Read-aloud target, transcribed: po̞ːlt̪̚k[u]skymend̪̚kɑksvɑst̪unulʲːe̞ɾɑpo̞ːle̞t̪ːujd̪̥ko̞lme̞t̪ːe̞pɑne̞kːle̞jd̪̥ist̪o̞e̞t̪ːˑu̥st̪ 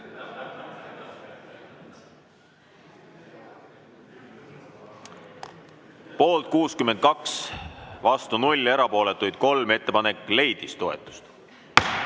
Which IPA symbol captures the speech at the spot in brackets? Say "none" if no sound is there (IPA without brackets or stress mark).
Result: uː